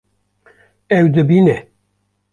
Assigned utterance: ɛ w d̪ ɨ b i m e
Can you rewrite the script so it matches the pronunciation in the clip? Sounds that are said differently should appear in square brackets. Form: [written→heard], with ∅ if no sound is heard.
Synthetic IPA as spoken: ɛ w d̪ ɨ b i [m→n] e